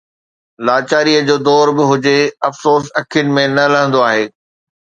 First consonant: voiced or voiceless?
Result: voiced